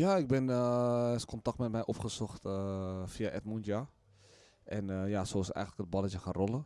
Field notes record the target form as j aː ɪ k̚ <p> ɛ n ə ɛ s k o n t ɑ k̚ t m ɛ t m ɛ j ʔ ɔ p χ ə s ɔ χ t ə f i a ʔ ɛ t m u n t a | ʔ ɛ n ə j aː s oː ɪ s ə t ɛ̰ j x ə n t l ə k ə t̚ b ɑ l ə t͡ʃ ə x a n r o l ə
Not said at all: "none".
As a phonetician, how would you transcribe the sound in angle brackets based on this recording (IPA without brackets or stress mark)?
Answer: b